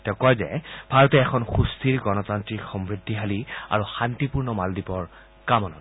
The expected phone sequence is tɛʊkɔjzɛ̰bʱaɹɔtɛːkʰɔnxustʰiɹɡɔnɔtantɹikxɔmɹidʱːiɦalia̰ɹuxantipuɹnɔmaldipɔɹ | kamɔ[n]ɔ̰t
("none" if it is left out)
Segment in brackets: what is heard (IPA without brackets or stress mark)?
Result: n